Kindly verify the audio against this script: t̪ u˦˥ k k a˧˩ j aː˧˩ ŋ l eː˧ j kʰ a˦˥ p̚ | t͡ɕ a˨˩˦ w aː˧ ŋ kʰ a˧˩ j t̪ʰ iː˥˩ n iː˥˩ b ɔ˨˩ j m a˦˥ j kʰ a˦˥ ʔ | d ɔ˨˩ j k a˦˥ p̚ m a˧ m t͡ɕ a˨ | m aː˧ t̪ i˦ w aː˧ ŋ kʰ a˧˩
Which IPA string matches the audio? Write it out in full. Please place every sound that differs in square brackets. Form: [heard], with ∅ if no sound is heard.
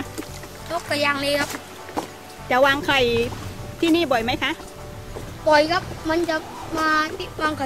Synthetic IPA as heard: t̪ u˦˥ k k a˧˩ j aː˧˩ ŋ l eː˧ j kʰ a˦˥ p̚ | t͡ɕ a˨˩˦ w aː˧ ŋ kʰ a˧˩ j t̪ʰ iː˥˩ n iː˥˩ b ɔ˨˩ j m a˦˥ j kʰ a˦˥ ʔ | [b] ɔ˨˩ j k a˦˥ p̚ m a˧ [n] t͡ɕ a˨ | m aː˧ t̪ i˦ w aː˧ ŋ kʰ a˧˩